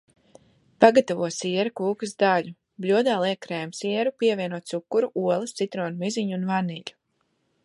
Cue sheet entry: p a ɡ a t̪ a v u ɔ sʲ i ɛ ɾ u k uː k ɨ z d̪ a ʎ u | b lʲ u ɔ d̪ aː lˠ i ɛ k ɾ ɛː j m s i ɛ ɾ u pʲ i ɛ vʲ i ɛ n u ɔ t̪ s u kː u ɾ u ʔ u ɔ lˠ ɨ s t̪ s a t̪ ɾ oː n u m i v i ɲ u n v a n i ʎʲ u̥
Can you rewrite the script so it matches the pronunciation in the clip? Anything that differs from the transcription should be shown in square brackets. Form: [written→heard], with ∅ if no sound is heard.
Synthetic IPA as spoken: p a ɡ a t̪ a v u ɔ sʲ i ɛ ɾ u k uː k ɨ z d̪ a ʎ u | b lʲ u ɔ d̪ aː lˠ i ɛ k ɾ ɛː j m s i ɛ ɾ u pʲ i ɛ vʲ i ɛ n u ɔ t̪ s u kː u ɾ u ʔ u ɔ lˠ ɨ s t̪ s [a→i] t̪ ɾ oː n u m i [v→z] i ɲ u n v a n i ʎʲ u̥

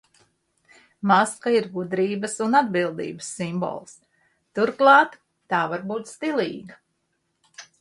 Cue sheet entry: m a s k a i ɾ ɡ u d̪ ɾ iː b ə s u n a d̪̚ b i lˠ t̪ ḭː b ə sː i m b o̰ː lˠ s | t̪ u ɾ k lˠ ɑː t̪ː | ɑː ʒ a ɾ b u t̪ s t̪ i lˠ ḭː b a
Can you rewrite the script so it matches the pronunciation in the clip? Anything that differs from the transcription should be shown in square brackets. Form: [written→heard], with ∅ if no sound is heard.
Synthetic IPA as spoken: m a s k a i ɾ ɡ u d̪ ɾ iː b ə s u n a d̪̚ b i lˠ [t̪→d̪] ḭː b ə sː i m b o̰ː lˠ s | t̪ u ɾ k lˠ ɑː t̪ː | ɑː [ʒ→v] a ɾ b [u→uː] t̪ s t̪ i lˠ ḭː [b→ɡ] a

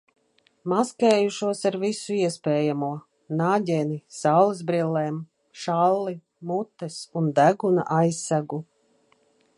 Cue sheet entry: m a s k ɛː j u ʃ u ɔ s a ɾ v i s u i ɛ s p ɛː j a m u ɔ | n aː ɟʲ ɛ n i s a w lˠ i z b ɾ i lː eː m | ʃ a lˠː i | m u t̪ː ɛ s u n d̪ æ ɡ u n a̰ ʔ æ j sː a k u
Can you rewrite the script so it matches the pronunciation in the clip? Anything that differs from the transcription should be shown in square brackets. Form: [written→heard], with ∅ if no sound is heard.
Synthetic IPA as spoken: m a s k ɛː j u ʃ u ɔ s a ɾ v i s u i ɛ s p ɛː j a m u ɔ | n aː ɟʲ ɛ n i s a w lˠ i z b ɾ i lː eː m | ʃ a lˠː i | m u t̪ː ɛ s u n d̪ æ ɡ u n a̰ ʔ [æ→a] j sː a [k→ɡ] u

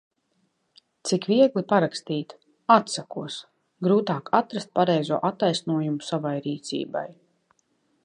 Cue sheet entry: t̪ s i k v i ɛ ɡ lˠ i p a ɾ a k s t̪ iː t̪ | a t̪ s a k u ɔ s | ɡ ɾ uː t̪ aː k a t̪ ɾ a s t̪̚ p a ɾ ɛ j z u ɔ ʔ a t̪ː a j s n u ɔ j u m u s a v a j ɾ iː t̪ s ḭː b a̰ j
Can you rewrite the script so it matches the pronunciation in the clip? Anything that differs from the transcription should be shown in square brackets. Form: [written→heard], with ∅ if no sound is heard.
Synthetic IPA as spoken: t̪ s i k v i ɛ ɡ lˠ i p a ɾ a k s t̪ iː t̪ | a t̪ s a k u ɔ s | ɡ ɾ uː t̪ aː k a t̪ ɾ a s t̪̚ p a ɾ ɛ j z u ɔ ʔ a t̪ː a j s n u ɔ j u m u s a v a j ɾ iː t̪ s ḭː b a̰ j

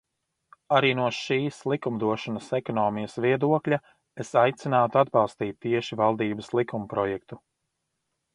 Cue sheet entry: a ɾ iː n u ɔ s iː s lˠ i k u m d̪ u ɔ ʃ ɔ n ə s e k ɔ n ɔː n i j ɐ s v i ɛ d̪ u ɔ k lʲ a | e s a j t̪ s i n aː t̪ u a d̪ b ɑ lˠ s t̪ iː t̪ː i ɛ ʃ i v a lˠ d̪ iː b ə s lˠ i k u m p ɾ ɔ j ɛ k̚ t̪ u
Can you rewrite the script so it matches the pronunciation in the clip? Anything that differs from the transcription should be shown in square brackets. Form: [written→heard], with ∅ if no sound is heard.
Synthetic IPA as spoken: a ɾ iː n u ɔ [s→ʃ] iː s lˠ i k u m d̪ u ɔ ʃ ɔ n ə s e k ɔ n ɔː [n→m] i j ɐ s v i ɛ d̪ u ɔ k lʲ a | e s a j t̪ s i n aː t̪ u a d̪ b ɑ lˠ s t̪ iː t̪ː i ɛ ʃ i v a lˠ d̪ iː b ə s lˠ i k u m p ɾ ɔ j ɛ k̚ t̪ u

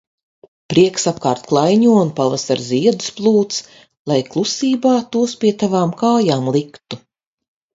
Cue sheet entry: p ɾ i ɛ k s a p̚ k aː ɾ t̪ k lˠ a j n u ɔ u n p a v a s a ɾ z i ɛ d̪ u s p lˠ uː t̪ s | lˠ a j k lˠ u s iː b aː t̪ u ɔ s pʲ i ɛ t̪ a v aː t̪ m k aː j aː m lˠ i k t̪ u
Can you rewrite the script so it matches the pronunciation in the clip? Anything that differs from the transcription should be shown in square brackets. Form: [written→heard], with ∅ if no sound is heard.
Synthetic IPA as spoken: p ɾ i ɛ k s a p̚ k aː ɾ t̪ k lˠ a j [n→ɲ] u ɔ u n p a v a s a ɾ z i ɛ d̪ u s p lˠ uː t̪ s | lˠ a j k lˠ u s iː b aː t̪ u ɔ s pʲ i ɛ t̪ a v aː [t̪→∅] m k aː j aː m lˠ i k t̪ u

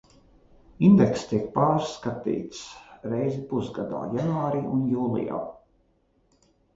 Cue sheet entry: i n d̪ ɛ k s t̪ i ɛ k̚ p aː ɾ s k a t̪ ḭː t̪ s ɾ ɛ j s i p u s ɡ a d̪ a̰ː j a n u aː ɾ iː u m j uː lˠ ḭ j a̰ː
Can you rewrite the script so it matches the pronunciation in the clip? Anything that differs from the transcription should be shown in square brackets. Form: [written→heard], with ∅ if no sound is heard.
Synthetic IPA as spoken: i n d̪ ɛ k s t̪ i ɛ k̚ p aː ɾ s k a t̪ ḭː t̪ s ɾ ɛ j [s→z] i p u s ɡ a d̪ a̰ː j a n u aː ɾ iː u [m→n] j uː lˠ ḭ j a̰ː

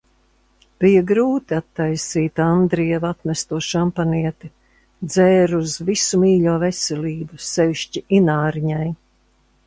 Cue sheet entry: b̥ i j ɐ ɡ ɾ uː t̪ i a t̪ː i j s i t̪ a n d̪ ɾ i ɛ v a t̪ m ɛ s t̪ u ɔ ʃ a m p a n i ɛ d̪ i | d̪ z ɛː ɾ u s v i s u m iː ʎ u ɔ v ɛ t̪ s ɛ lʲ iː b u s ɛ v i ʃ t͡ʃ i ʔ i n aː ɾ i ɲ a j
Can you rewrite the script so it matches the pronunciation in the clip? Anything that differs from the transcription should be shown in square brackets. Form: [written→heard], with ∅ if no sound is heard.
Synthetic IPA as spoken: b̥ i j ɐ ɡ ɾ uː t̪ i a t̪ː [i→a] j s [i→iː] t̪ a n d̪ ɾ i ɛ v a t̪ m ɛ s t̪ u ɔ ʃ a m p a n i ɛ [d̪→t̪] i | d̪ z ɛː ɾ u [s→z] v i s u m iː ʎ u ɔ v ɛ [t̪→∅] s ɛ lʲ iː b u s ɛ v i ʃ t͡ʃ i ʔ i n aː ɾ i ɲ a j

